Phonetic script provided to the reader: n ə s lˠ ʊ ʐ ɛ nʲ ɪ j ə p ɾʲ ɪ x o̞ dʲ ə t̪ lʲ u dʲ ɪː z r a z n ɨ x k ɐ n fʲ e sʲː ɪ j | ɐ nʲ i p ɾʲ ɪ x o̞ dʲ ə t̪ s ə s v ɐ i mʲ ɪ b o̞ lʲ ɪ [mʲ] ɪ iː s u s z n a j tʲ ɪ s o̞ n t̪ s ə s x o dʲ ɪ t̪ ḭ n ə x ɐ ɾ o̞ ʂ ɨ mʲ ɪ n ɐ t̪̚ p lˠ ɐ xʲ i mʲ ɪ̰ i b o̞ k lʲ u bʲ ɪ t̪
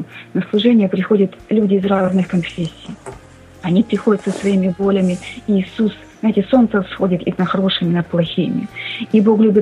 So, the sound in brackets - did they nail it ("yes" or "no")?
yes